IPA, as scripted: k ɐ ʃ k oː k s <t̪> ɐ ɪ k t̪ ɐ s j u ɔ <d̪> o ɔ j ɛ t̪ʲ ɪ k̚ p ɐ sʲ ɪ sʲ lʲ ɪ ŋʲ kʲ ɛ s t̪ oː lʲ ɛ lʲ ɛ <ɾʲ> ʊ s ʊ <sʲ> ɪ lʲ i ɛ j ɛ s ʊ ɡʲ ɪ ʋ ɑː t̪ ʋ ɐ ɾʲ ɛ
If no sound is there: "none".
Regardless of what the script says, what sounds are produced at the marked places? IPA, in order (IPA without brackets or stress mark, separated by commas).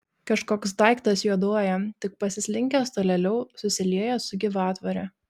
d̪, d̪, none, sʲ